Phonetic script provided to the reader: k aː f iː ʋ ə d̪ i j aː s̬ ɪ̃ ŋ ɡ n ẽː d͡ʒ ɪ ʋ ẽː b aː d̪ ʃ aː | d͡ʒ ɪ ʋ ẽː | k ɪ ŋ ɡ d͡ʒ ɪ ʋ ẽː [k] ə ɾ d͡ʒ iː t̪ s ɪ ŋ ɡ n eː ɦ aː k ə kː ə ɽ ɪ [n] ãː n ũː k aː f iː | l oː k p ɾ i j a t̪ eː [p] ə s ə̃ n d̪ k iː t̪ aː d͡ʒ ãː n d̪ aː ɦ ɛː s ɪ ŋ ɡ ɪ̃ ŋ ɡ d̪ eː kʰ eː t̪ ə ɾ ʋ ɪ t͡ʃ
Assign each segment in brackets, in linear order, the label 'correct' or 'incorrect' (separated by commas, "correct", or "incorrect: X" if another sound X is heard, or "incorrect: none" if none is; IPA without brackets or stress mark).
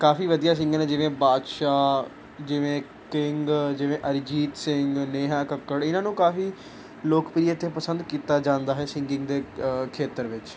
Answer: incorrect: ʔ, correct, correct